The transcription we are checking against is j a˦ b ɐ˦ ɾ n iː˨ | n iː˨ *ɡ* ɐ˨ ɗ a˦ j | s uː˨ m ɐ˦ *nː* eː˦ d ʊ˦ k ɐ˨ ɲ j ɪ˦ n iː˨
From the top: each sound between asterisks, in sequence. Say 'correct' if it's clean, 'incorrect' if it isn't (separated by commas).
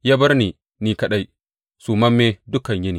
incorrect, incorrect